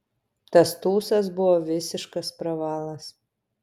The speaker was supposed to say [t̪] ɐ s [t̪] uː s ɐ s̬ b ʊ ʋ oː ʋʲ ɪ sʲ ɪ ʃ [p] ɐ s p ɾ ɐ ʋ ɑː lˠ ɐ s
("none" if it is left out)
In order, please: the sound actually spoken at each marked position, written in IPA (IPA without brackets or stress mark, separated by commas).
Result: t̪, t̪, k